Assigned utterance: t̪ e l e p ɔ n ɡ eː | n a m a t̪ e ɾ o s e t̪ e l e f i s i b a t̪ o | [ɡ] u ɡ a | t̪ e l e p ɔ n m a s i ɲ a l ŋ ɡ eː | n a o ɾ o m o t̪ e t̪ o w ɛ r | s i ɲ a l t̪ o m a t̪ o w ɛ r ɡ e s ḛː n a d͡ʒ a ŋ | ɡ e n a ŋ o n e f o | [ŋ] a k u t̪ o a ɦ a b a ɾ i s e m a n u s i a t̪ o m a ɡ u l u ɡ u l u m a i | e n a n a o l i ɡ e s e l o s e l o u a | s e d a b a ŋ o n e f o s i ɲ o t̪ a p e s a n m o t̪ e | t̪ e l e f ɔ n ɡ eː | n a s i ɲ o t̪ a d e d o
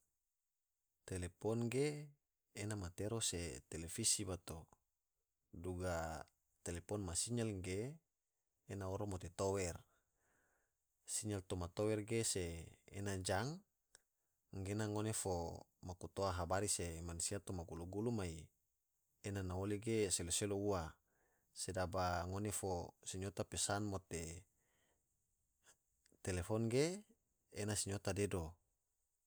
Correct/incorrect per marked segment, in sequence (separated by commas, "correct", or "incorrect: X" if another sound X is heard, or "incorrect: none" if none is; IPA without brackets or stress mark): incorrect: d, incorrect: m